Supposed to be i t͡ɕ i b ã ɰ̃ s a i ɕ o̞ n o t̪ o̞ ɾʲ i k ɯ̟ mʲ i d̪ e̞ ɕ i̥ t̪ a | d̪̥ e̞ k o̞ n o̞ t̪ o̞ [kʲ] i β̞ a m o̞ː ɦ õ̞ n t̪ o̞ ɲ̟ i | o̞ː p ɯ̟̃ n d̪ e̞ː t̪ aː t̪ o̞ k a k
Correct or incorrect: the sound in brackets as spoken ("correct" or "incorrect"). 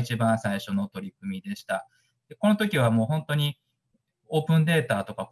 correct